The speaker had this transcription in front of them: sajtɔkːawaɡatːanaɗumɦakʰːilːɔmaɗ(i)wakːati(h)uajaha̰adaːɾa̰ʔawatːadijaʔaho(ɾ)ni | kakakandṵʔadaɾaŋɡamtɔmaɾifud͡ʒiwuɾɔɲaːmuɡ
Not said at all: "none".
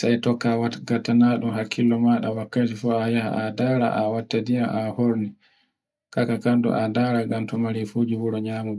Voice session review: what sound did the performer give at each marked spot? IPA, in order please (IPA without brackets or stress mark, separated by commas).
a, f, ɾ